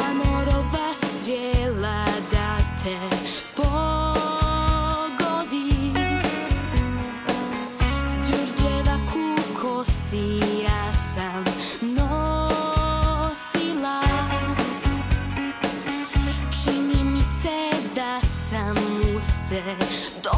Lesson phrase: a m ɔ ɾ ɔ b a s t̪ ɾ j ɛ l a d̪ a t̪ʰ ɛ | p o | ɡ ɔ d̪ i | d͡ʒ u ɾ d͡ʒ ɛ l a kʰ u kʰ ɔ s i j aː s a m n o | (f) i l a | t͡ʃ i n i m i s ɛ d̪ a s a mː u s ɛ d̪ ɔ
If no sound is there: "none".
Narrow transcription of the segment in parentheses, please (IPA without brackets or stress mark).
s